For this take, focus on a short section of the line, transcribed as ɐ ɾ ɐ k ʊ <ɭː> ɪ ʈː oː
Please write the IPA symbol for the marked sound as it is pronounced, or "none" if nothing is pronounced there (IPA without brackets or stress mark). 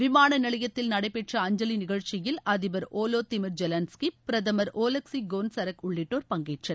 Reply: ɭː